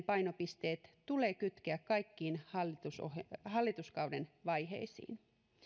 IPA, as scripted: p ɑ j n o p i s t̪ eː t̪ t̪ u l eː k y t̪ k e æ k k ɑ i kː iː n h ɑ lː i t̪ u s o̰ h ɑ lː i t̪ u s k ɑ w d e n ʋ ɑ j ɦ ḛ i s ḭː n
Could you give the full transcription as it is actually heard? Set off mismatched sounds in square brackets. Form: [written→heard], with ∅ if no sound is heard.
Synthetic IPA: p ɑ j n o p i s t̪ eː t̪ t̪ u l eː k y t̪ k e æ k k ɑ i kː iː n h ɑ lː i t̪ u s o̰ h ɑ lː i t̪ u s k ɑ w d e n ʋ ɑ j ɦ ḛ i s ḭː n